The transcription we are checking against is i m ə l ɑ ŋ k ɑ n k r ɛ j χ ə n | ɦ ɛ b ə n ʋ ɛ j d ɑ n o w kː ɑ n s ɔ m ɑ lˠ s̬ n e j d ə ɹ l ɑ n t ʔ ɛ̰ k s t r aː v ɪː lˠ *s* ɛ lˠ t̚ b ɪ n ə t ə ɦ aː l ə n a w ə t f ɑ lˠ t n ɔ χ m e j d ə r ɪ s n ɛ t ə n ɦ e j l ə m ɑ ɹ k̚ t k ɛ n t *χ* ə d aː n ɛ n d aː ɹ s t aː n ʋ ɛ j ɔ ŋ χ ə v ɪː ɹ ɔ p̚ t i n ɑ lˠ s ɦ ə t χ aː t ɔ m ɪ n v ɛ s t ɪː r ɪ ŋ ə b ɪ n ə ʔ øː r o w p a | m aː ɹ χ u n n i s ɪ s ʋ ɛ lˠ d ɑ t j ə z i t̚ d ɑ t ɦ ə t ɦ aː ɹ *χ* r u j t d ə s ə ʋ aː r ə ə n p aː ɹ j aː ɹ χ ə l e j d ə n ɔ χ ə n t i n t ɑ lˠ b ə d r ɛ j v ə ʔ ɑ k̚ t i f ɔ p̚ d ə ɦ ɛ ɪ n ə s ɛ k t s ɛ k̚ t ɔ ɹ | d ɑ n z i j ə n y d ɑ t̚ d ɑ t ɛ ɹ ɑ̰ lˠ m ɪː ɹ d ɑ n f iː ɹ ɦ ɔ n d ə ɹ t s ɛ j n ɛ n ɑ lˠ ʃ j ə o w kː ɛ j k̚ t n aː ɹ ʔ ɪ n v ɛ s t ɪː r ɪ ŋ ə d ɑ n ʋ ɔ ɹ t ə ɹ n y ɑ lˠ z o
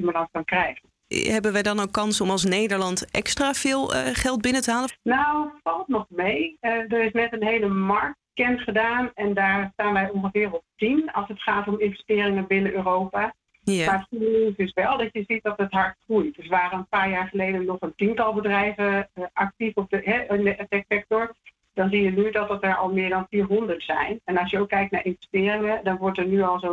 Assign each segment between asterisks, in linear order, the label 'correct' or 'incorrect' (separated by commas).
incorrect, correct, correct